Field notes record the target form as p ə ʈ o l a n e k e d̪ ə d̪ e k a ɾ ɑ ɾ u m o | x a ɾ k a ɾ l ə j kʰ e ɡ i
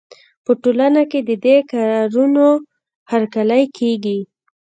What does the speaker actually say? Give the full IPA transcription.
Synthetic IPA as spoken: p ə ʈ o l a n a k e d̪ ə d̪ e k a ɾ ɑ ɾ u n o | h a ɾ k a l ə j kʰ e ɡ i